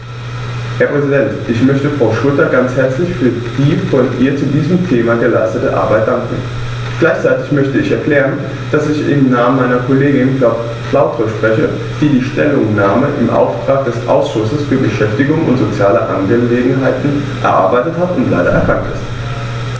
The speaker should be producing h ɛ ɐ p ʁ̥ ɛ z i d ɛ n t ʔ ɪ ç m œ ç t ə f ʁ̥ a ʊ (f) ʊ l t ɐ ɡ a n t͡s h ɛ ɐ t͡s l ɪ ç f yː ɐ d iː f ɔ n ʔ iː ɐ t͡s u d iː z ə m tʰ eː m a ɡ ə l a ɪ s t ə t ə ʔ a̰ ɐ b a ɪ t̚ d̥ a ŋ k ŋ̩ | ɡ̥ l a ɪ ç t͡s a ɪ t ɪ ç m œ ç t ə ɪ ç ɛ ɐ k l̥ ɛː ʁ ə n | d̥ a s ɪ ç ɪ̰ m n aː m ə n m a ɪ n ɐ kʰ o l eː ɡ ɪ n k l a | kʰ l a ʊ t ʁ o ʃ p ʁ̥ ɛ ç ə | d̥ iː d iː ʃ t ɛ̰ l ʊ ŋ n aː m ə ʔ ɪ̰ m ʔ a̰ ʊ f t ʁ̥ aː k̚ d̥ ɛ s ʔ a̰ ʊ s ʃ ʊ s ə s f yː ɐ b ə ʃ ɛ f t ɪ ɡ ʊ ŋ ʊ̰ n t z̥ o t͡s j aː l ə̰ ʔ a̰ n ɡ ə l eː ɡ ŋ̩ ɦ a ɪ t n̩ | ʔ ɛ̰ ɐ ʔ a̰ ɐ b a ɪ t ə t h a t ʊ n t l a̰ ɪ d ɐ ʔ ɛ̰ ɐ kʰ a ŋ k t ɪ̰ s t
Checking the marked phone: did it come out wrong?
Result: yes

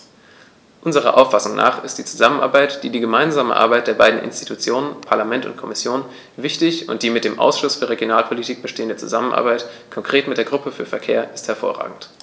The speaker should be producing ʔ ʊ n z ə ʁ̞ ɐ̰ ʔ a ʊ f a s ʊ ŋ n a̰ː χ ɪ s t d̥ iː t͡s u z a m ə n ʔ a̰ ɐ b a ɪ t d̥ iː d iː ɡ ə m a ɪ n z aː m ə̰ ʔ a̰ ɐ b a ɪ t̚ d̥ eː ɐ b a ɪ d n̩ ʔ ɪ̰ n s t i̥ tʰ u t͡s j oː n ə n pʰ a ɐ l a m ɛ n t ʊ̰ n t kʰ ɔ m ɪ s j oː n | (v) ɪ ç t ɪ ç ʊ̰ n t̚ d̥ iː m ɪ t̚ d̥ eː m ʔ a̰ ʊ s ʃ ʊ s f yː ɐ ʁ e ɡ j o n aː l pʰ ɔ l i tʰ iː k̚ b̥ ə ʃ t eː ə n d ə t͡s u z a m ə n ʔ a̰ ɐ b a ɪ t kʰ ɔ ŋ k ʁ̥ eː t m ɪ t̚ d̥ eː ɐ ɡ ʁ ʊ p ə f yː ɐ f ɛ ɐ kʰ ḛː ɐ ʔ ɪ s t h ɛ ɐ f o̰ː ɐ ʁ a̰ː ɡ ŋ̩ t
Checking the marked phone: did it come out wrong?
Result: no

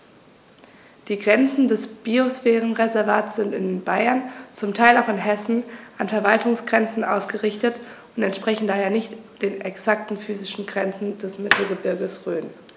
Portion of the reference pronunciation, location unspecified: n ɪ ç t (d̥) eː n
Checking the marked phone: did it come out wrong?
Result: no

